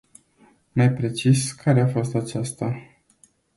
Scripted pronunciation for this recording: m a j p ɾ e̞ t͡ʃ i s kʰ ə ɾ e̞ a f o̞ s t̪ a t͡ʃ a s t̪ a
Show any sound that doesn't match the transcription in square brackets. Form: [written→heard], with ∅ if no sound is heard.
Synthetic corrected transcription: m a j p ɾ e̞ t͡ʃ i s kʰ [ə→a] ɾ e̞ a f o̞ s t̪ a t͡ʃ a s t̪ a